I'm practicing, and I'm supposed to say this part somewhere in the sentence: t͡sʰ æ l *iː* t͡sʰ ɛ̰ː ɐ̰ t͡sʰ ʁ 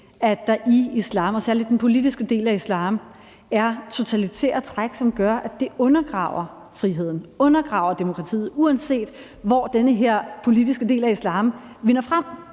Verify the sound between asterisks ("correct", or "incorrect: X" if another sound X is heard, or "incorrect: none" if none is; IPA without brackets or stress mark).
incorrect: i